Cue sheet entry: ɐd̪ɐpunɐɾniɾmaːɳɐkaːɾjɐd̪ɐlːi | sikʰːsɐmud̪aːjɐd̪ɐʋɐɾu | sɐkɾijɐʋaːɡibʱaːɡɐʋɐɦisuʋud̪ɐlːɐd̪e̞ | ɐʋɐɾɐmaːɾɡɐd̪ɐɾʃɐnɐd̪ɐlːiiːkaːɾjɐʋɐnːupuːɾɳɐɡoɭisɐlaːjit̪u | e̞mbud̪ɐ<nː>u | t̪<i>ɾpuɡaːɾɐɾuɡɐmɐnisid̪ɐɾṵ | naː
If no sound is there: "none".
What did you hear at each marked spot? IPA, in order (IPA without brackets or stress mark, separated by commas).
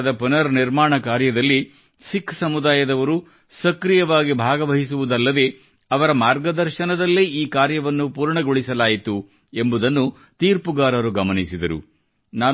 nː, iː